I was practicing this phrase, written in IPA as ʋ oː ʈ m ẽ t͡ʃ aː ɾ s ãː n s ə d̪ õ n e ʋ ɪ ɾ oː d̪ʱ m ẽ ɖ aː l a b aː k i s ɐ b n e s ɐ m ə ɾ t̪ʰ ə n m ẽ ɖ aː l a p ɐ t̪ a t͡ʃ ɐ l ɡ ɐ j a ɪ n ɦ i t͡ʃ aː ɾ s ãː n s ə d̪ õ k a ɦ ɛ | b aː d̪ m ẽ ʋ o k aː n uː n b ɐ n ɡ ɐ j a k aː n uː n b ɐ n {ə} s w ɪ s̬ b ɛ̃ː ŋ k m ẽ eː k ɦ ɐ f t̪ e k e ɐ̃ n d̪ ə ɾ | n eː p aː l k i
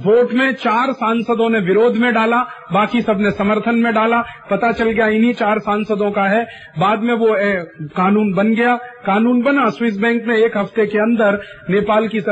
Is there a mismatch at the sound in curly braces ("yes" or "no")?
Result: yes